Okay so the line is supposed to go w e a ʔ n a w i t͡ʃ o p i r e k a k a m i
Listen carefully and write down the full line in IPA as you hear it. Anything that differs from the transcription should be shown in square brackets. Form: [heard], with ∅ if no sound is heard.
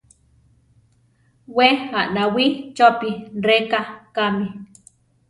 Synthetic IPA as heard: w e a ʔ n a w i t͡ʃ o p i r e k a k a m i